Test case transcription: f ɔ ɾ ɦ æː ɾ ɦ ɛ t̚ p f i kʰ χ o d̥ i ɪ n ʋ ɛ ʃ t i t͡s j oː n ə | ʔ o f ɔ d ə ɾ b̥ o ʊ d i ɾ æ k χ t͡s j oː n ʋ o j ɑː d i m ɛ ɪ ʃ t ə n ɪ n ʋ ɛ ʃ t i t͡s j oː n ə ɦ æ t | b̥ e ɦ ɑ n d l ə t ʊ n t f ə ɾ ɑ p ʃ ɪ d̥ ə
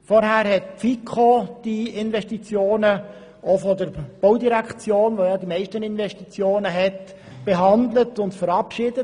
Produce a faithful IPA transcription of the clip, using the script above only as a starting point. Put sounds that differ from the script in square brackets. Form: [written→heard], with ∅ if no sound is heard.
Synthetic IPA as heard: f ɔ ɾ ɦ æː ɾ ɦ ɛ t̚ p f i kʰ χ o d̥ i ɪ n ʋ ɛ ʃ t i t͡s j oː n ə | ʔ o f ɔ d ə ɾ b̥ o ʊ d i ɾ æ k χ t͡s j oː n ʋ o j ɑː d i m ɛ ɪ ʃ t ə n ɪ n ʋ ɛ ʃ t i t͡s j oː n ə ɦ [æ→ɛ] t | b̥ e ɦ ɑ n d l ə t ʊ n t f ə ɾ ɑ p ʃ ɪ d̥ ə